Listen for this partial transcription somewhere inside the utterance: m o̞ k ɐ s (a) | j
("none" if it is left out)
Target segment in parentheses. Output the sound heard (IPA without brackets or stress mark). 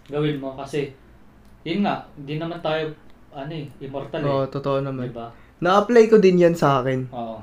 ɛ